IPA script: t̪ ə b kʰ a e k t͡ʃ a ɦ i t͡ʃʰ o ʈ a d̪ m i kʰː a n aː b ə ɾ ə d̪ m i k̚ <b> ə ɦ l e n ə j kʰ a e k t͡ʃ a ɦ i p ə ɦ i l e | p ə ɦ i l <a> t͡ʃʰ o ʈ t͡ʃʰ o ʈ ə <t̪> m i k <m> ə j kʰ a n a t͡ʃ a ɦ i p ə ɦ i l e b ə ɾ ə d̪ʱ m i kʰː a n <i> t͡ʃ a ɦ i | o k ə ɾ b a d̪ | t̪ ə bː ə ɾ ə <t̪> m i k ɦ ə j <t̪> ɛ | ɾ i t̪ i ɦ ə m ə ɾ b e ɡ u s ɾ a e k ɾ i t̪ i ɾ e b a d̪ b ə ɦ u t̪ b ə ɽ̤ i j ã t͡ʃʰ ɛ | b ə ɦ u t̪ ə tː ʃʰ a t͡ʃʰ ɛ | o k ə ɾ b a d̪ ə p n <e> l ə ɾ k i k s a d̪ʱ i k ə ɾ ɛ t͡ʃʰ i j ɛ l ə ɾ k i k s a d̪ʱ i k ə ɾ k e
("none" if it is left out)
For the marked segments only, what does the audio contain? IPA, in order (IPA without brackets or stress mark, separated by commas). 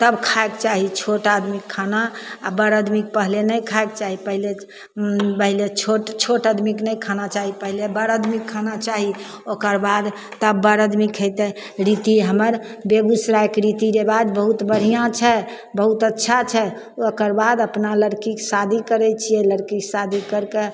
p, e, d̪, n, a, d̪, t̪, a